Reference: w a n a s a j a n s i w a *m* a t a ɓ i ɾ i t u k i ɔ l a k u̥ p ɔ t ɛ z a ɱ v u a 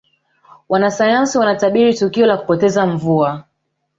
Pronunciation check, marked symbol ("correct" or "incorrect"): incorrect